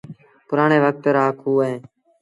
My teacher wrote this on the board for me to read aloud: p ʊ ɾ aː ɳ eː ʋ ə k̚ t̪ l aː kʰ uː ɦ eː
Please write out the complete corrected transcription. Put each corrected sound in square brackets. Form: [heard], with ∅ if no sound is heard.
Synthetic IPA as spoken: p ʊ ɾ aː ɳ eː ʋ ə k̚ t̪ [ɾ] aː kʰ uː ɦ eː